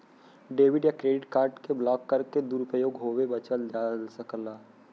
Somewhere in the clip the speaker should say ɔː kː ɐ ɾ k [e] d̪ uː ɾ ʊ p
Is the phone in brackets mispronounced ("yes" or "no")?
no